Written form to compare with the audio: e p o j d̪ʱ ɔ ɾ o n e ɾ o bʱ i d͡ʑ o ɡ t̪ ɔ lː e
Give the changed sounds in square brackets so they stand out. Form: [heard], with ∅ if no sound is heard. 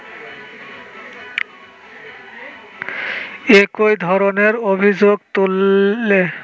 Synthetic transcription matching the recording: e [k] o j d̪ʱ ɔ ɾ o n e ɾ o bʱ i d͡ʑ o ɡ t̪ [u] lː e